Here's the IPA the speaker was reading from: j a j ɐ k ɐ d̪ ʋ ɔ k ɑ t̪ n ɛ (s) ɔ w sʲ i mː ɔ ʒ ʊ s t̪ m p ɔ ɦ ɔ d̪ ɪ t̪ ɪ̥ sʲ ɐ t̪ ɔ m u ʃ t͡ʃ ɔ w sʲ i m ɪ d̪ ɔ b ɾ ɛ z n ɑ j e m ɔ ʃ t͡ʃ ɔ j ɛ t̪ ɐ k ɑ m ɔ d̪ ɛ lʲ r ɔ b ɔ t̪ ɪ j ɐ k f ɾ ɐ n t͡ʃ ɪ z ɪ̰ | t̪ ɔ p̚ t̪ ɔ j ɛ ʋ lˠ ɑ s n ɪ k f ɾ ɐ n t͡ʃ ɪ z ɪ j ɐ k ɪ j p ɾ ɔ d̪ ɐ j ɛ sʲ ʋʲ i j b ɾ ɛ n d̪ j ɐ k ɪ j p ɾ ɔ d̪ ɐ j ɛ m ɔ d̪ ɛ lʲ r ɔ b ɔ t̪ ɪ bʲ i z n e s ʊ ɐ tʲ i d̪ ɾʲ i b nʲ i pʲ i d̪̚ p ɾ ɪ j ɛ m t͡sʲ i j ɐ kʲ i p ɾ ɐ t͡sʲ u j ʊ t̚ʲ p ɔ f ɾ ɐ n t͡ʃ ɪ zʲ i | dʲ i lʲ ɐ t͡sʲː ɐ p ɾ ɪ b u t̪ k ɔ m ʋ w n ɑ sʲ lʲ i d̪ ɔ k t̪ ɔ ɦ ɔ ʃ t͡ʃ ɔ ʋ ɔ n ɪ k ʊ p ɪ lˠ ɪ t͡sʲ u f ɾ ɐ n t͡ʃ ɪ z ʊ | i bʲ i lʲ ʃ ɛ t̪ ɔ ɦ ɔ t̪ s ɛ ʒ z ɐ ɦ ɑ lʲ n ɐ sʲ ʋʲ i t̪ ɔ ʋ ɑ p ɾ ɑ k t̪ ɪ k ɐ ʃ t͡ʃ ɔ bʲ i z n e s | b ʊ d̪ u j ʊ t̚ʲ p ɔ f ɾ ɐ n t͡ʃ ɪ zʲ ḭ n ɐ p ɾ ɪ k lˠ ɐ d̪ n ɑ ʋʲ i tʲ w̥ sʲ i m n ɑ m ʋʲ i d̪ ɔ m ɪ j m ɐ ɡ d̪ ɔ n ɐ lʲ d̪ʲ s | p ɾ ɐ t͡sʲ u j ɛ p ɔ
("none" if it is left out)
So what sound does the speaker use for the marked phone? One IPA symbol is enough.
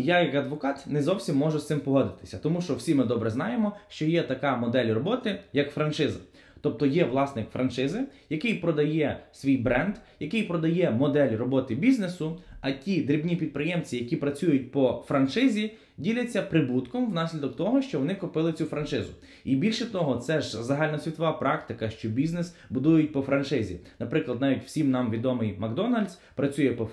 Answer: z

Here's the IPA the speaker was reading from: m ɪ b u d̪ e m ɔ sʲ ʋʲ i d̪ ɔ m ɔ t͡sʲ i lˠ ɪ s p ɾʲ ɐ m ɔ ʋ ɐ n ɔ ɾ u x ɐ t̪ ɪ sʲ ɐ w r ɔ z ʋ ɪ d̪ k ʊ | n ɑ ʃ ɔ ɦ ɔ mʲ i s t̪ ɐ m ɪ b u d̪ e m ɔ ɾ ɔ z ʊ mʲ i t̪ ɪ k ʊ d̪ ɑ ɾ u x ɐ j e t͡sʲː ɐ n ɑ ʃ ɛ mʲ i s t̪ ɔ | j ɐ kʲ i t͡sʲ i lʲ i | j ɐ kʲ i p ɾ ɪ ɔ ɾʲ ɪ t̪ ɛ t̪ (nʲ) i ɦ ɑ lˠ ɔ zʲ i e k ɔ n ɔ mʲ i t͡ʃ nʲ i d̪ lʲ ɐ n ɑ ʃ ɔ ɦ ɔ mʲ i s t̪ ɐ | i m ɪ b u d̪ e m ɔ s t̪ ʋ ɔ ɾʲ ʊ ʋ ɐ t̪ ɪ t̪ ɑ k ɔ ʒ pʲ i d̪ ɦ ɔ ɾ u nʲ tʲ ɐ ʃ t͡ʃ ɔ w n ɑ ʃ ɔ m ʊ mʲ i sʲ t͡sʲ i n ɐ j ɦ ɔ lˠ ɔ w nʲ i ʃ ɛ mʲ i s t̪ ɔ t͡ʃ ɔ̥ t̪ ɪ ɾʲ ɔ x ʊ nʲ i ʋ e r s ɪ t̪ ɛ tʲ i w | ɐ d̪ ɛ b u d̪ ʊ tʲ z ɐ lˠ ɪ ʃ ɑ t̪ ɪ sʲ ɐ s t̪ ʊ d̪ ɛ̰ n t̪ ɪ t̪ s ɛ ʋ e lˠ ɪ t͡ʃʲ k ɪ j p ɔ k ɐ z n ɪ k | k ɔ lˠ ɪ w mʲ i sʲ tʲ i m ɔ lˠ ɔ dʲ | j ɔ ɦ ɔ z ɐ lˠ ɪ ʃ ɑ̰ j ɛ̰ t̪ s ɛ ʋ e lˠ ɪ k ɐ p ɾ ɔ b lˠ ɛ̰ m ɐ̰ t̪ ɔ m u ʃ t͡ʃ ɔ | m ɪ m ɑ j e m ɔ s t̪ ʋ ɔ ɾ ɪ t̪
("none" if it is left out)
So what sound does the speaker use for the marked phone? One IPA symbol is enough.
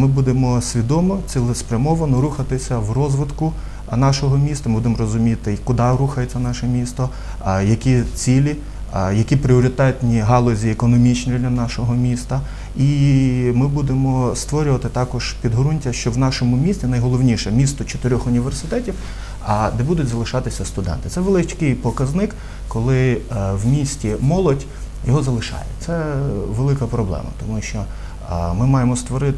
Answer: nʲ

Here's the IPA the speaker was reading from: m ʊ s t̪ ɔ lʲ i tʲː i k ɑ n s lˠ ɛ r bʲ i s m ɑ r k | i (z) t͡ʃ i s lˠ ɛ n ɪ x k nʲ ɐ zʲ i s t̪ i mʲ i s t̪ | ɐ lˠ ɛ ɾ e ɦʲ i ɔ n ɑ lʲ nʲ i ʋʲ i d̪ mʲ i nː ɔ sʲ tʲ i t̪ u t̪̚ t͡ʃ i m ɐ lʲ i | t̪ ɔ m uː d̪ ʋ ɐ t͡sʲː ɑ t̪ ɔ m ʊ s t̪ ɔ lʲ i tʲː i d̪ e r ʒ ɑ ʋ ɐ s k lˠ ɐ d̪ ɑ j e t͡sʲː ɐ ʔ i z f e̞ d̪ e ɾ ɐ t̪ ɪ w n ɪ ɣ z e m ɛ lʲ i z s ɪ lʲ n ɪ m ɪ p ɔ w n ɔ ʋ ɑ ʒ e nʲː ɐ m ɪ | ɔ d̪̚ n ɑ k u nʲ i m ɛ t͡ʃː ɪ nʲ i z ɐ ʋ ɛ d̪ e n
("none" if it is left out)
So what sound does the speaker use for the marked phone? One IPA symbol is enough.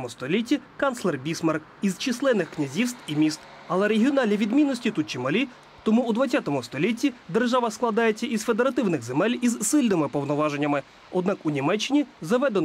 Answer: z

